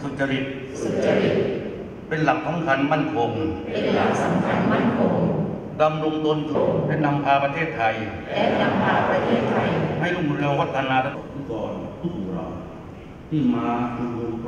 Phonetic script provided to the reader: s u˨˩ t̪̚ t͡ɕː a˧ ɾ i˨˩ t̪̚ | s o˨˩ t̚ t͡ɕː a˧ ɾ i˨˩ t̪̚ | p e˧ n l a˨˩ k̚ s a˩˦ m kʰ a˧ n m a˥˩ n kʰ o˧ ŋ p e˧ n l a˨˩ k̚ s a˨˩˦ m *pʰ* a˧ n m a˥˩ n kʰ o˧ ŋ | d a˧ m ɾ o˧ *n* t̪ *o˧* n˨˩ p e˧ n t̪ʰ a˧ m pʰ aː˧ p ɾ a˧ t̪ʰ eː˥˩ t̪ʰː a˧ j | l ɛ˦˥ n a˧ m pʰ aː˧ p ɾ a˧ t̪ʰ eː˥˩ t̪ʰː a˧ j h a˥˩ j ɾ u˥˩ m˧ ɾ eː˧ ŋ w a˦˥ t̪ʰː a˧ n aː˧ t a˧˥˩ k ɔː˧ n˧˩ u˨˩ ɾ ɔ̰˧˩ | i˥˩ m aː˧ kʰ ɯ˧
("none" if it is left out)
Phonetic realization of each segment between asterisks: kʰ, ŋ, o˧

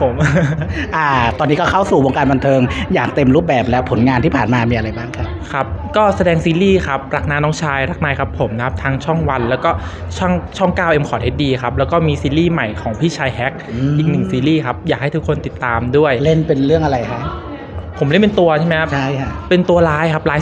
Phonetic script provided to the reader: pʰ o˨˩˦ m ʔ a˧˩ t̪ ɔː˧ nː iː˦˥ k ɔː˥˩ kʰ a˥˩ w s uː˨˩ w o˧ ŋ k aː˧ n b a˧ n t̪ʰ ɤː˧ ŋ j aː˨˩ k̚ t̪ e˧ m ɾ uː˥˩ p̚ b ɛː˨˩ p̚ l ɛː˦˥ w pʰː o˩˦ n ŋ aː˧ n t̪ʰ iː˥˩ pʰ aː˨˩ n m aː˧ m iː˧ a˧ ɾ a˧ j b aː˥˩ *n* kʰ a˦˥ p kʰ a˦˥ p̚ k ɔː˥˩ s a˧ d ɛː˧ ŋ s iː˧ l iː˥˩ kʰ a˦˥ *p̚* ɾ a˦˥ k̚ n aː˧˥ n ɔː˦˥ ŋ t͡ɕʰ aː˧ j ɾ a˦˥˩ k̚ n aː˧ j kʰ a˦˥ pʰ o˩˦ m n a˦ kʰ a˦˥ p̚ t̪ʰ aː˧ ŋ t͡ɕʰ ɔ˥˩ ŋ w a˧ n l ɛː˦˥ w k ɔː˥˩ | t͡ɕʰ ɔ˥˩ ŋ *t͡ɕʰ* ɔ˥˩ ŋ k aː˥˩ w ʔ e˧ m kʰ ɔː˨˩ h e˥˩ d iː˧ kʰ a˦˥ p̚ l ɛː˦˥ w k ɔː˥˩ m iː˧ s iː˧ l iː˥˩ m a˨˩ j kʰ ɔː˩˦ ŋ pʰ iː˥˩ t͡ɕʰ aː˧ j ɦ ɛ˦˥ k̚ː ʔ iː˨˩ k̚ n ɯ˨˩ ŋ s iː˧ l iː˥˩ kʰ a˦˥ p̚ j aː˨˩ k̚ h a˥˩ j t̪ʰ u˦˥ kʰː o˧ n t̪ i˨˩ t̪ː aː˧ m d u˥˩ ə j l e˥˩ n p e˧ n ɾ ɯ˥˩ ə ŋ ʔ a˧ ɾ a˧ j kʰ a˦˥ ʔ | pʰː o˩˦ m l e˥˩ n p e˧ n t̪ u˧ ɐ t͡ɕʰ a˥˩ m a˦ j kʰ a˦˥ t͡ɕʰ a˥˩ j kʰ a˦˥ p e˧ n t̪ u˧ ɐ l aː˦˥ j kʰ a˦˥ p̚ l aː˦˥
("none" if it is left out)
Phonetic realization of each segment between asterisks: ŋ, p̚, t͡ɕʰ

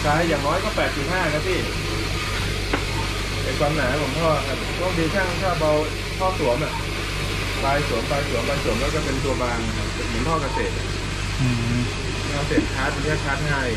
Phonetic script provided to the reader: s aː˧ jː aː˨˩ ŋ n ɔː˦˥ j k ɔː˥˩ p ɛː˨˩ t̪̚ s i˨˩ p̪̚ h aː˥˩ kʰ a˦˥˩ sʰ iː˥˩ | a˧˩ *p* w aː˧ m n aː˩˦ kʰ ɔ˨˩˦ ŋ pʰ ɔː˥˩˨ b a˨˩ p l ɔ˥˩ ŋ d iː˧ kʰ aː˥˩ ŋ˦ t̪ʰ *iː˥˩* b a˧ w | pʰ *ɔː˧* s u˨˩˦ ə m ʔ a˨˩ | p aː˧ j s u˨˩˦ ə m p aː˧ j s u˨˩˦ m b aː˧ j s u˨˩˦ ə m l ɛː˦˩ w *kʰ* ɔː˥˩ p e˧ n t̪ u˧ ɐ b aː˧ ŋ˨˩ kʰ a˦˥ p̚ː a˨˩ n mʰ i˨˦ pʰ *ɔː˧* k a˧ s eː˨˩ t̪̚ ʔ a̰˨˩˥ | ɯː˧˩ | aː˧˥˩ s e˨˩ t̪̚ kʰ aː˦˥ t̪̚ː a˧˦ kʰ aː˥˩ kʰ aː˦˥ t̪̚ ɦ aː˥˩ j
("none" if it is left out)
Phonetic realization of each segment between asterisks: k, aː˥˩, ɔː˥˩, k, ɔː˥˩

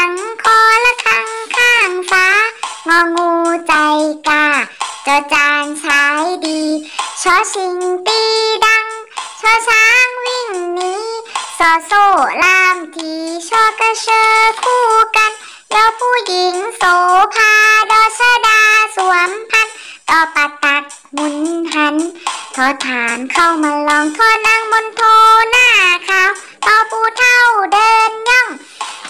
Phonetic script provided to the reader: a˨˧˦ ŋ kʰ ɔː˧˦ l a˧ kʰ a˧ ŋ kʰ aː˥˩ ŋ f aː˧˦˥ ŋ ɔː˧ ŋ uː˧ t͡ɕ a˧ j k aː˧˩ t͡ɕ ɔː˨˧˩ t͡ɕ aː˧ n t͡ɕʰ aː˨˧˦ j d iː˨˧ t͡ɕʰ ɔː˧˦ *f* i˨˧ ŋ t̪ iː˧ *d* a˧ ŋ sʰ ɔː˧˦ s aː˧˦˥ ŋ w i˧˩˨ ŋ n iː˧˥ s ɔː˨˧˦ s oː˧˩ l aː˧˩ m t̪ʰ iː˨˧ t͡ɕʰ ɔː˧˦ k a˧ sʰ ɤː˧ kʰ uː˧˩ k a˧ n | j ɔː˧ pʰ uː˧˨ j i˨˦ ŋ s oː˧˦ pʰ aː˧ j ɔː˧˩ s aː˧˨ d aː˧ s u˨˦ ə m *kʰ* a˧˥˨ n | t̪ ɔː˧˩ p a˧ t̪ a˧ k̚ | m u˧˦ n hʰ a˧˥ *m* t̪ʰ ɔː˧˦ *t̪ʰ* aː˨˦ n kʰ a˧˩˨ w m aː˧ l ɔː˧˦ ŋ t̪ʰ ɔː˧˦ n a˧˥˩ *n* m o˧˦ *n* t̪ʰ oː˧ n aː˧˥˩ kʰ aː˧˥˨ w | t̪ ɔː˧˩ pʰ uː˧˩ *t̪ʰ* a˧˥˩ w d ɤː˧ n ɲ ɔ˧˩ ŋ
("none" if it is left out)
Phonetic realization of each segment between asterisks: s, d, pʰ, n, t̪ʰ, ŋ, n, t̪ʰ

